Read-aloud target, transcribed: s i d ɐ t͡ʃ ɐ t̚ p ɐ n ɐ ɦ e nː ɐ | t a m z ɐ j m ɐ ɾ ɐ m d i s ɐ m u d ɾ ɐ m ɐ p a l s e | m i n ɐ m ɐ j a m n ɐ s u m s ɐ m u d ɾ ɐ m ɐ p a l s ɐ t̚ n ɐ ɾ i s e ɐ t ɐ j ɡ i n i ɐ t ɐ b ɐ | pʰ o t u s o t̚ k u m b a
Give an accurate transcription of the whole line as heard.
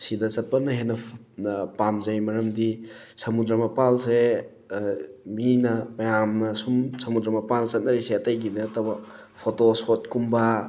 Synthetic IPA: s i d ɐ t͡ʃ ɐ t̚ p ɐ n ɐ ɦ e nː ɐ | p a m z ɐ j m ɐ ɾ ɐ m d i s ɐ m u d ɾ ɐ m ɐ p a l s e | m i n ɐ m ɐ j a m n ɐ s u m s ɐ m u d ɾ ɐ m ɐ p a l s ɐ t̚ n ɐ ɾ i s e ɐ t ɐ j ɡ i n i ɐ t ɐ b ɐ | pʰ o t o s o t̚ k u m b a

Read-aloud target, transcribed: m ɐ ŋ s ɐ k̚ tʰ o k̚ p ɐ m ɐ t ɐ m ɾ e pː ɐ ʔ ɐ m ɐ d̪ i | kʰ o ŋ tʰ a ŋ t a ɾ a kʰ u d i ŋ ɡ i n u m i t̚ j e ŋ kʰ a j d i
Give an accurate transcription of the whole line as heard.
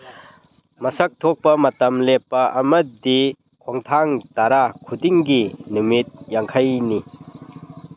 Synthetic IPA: m ɐ s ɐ k̚ tʰ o k̚ p ɐ m ɐ t ɐ m l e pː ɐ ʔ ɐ m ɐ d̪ i | kʰ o ŋ tʰ a ŋ t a ɾ a kʰ u d i ŋ ɡ i n u m i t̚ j a ŋ kʰ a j n i

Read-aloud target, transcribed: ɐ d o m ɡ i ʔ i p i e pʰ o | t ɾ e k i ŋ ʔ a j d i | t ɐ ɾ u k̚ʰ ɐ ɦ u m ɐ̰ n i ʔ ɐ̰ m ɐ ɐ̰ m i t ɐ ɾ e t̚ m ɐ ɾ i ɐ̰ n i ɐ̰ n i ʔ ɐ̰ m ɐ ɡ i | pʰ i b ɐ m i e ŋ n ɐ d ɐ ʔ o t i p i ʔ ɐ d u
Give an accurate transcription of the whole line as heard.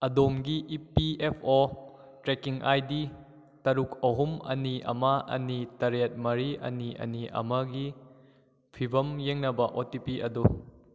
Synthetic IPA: ɐ d o m ɡ i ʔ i p i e pʰ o | t ɾ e k i ŋ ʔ a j d i | t ɐ ɾ u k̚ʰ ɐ ɦ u m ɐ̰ n i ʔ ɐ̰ m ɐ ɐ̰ n i t ɐ ɾ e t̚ m ɐ ɾ i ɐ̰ n i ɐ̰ n i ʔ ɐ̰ m ɐ ɡ i | pʰ i b ɐ m j e ŋ n ɐ b ɐ ʔ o t i p i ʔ ɐ d u

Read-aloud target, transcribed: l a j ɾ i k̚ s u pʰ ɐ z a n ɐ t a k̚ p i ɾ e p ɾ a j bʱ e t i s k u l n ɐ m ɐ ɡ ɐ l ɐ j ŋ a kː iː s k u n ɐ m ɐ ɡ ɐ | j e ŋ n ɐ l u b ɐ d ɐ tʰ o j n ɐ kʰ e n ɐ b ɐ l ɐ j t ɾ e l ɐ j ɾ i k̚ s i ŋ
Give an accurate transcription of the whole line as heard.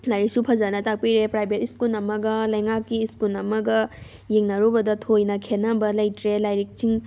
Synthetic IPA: l a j ɾ i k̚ s u pʰ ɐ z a n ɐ t a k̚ p i ɾ e p ɾ a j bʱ e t i s k u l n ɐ m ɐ ɡ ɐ l ɐ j ŋ a kː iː s k u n ɐ m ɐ ɡ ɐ | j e ŋ n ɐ ɾ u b ɐ d ɐ tʰ o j n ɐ kʰ e n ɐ b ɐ l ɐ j t ɾ e l a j ɾ i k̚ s i ŋ

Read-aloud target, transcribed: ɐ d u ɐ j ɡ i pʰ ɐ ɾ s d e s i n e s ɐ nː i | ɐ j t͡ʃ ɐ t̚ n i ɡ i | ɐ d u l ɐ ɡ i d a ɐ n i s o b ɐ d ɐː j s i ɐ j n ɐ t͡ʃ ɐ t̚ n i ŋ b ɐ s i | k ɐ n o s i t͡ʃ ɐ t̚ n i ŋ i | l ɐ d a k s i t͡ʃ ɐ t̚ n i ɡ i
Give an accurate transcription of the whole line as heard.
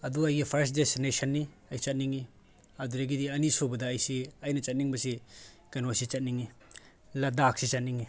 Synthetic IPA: ɐ d u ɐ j ɡ i pʰ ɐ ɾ s d e s i n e s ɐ nː i | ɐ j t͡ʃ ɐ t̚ n i ŋ i | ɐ d u ɾ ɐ ɡ i d i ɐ n i s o b ɐ d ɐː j s i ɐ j n ɐ t͡ʃ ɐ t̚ n i ŋ b ɐ s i | k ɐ n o s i t͡ʃ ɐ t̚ n i ŋ i | l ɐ d a k s i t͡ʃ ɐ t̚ n i ŋ i

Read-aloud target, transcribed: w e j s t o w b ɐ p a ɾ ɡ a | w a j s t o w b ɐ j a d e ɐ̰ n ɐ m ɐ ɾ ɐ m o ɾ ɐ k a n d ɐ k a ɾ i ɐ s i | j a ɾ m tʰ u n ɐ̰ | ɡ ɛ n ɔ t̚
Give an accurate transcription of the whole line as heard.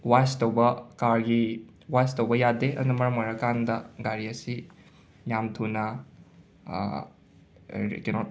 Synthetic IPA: w a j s t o w b ɐ k a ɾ ɡ i | w a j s t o w b ɐ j a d e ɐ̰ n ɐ m ɐ ɾ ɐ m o ɾ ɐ k a n d ɐ ɡ a ɾ i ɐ s i | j a m tʰ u n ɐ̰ | k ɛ n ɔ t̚

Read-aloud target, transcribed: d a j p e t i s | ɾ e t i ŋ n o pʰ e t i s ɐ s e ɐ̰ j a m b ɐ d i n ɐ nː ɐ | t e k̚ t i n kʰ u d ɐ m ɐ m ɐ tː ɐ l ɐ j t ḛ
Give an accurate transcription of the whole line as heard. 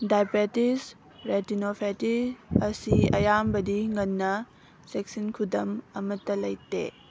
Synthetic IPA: d a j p e t i s | ɾ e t i n o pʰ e t i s ɐ s i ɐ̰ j a m b ɐ d i ŋ ɐ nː ɐ | s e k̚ s i n kʰ u d ɐ m ɐ m ɐ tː ɐ l ɐ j t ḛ

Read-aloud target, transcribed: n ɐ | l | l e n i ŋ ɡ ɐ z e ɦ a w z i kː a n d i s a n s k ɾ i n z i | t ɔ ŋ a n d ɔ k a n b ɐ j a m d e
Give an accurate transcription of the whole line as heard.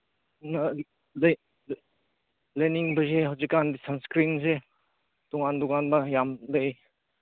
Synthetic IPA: n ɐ | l | l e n i ŋ b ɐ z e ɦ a w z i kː a n d i s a n s k ɾ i n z e | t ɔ ŋ a n d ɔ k a n b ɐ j a m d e

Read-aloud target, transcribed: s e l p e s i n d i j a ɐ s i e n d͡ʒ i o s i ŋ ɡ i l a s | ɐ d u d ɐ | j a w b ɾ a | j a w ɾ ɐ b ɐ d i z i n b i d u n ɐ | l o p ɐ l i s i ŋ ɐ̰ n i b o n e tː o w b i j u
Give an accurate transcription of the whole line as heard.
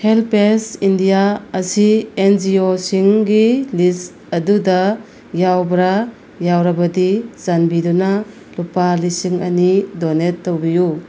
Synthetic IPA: h e l p e s i n d i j a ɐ s i e n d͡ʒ i o s i ŋ ɡ i l i s | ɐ d u d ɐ | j a w b ɾ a | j a w ɾ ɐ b ɐ d i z a n b i d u n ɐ | l u p a l i s i ŋ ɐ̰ n i d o n e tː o w b i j u

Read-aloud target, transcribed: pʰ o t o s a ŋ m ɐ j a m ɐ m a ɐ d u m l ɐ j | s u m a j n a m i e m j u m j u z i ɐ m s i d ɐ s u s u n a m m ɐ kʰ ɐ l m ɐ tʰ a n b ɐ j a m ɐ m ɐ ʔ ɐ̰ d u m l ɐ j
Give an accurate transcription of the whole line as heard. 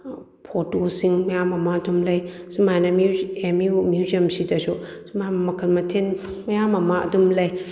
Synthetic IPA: pʰ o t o s i ŋ m ɐ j a m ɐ m a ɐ d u m l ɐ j | s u m a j n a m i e m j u m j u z i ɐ m s i d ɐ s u s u m a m m ɐ kʰ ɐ l m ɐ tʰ e n m ɐ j a m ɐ m a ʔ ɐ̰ d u m l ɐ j

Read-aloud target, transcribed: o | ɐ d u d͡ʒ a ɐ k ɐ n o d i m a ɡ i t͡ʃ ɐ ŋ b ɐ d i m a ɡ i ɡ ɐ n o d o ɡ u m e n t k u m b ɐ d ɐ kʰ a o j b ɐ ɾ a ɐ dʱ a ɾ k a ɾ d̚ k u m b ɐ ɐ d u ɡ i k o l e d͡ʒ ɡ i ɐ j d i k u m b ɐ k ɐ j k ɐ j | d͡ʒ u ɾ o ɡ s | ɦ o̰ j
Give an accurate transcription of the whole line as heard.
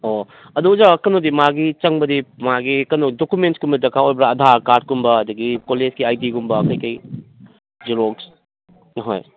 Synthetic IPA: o | ɐ d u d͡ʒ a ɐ k ɐ n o d i m a ɡ i t͡ʃ ɐ ŋ b ɐ d i m a ɡ i k ɐ n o d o k u m e n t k u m b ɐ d ɐ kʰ a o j b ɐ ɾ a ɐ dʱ a ɾ k a ɾ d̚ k u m b ɐ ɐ d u ɡ i k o l e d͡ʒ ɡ i a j d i ɡ u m b ɐ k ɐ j k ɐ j | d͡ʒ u ɾ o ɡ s | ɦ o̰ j

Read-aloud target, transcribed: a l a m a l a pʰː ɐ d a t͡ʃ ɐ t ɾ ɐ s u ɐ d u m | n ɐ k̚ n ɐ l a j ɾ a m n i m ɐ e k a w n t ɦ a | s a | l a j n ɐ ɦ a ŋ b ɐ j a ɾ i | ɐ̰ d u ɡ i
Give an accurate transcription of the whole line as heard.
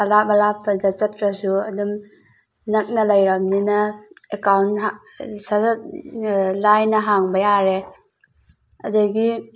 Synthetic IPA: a l a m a l a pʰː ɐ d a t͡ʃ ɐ t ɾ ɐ s u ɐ d u m | n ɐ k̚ n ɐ l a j ɾ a m n i n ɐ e k a w n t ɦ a | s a | l a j n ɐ ɦ a ŋ b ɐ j a ɾ e | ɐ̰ d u ɡ i

